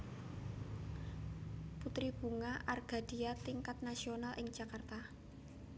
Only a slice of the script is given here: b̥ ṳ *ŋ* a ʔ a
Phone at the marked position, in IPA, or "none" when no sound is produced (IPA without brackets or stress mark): ŋ